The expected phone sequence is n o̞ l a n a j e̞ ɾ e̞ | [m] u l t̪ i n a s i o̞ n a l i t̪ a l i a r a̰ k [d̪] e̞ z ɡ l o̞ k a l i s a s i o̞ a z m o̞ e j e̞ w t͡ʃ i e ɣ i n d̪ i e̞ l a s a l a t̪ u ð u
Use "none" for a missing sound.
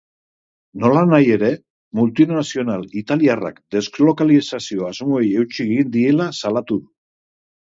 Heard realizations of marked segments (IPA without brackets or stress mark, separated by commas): m, d̪